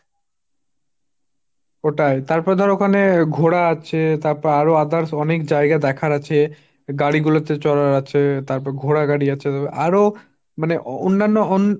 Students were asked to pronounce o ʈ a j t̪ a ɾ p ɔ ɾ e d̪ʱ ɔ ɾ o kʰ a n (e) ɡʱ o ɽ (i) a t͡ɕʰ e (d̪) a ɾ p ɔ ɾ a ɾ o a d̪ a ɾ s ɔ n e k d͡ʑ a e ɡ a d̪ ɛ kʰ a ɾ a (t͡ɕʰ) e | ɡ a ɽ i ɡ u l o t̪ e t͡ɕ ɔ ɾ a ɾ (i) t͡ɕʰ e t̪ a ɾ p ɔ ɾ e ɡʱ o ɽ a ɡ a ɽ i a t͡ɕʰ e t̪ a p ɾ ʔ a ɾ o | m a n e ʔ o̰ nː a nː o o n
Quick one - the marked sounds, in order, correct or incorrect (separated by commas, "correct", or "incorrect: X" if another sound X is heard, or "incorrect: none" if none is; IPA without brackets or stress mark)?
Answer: correct, incorrect: a, incorrect: t̪, correct, incorrect: a